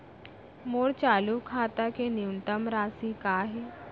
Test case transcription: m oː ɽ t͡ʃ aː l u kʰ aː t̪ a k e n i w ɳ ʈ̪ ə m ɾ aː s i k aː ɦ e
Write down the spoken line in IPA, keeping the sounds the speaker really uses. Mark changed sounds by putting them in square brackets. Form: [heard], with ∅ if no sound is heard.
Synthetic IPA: m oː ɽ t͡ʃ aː l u kʰ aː t̪ a k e n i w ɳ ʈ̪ ə m ɾ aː s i k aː ɦ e